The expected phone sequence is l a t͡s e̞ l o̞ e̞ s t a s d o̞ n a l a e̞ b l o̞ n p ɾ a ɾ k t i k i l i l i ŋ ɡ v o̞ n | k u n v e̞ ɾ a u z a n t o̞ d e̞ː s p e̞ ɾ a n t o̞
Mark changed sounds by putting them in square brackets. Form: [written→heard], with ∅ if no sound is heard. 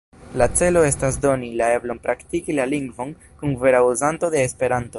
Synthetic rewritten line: l a t͡s e̞ l o̞ e̞ s t a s d o̞ n [a→i] l a e̞ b l o̞ n p ɾ a [ɾ→∅] k t i k i l [i→a] l i ŋ ɡ v o̞ n | k u n v e̞ ɾ a u z a n t o̞ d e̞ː s p e̞ ɾ a n t o̞